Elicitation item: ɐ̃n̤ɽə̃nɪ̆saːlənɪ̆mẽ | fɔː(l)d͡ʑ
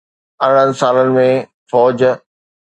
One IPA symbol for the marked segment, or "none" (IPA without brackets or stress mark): none